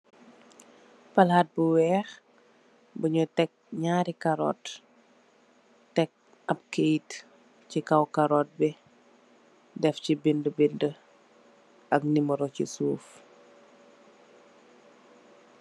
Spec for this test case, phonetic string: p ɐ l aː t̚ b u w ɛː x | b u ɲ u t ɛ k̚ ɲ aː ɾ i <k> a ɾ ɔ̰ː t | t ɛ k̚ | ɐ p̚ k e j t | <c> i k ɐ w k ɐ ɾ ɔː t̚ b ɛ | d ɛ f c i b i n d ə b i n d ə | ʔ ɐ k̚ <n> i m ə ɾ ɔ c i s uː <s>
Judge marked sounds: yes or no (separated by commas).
yes, yes, yes, no